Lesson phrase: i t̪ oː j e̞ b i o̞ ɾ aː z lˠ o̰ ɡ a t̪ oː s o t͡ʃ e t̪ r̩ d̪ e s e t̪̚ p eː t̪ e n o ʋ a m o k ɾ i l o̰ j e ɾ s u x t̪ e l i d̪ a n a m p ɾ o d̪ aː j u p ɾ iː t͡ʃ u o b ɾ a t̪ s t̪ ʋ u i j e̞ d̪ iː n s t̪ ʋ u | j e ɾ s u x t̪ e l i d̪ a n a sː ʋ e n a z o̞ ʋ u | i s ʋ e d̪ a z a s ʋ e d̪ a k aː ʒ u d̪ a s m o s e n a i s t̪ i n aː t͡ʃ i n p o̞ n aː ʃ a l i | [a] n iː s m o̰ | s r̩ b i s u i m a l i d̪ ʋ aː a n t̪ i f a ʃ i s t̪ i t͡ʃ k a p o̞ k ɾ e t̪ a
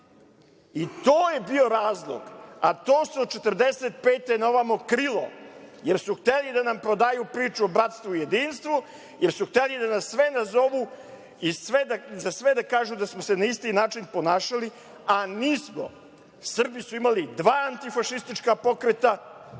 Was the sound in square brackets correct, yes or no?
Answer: yes